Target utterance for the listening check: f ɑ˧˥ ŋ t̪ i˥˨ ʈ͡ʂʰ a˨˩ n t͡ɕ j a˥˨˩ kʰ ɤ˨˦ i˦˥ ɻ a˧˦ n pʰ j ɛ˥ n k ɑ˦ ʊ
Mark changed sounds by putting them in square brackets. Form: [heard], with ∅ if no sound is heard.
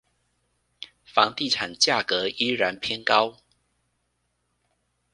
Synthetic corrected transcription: f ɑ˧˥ ŋ t̪ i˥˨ ʈ͡ʂʰ a˨˩ n t͡ɕ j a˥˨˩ [k] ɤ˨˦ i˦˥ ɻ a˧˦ n pʰ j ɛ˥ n k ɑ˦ ʊ